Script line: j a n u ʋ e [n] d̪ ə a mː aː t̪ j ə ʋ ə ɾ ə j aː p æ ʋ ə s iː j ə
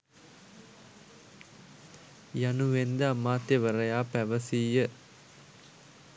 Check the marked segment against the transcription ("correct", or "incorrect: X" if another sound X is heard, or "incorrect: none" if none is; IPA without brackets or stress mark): correct